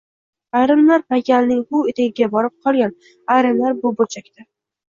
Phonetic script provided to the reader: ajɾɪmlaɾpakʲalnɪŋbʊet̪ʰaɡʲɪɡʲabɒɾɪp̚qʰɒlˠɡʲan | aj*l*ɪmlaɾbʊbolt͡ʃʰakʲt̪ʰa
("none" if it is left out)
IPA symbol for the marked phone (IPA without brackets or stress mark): ɾ